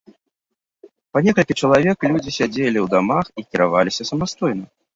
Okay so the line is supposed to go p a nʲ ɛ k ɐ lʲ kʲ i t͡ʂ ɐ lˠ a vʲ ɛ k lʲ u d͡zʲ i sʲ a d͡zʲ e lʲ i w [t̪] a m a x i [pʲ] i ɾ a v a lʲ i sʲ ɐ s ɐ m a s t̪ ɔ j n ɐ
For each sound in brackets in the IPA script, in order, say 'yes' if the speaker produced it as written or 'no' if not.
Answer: no, no

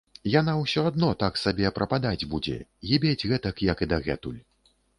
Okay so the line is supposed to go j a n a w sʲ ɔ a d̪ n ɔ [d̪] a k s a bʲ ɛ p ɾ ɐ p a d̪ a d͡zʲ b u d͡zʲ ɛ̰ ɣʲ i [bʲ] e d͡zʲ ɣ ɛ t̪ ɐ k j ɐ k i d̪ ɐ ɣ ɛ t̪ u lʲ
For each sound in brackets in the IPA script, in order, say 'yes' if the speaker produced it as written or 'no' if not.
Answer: no, yes

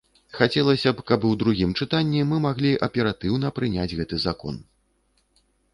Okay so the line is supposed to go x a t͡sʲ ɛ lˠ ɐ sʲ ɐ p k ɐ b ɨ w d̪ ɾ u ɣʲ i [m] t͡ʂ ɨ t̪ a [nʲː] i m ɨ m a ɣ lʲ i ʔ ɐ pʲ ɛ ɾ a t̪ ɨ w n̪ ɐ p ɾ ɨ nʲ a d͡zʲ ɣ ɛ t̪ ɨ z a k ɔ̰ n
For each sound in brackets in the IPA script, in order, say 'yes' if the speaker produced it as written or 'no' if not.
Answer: yes, yes

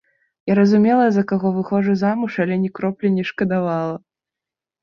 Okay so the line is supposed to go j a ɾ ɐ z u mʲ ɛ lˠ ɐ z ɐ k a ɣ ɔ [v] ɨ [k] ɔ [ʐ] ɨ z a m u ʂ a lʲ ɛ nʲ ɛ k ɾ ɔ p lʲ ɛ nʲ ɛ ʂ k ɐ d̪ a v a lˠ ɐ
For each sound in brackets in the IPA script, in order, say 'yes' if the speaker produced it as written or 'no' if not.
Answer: yes, no, yes

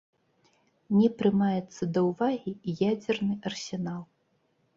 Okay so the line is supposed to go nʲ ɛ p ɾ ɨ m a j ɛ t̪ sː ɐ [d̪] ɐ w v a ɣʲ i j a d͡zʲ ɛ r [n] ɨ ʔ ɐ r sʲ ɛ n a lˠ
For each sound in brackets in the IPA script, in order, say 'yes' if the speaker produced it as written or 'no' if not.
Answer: yes, yes

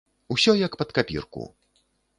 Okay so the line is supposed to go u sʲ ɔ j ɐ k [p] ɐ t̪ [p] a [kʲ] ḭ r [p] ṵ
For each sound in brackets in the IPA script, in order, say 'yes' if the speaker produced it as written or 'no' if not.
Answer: yes, no, no, no

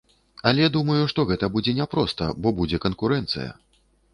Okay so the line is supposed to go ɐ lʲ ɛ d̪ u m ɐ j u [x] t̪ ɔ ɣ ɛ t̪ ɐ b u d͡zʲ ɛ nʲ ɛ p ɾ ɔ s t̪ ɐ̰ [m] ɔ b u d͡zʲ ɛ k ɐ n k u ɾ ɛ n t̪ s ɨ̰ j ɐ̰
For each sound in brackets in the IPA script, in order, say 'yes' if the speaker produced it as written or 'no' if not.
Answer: no, no

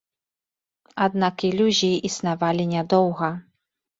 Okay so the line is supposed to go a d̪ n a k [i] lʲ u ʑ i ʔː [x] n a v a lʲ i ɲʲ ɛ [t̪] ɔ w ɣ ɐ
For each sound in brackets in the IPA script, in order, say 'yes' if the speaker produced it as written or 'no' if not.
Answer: yes, no, no

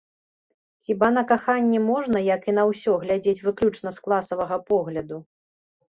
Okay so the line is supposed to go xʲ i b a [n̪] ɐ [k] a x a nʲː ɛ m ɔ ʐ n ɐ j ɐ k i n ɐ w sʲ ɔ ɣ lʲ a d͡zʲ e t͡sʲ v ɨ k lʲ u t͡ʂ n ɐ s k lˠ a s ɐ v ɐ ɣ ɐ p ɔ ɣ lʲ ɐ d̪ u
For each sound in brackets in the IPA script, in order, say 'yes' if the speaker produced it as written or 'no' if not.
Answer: yes, yes

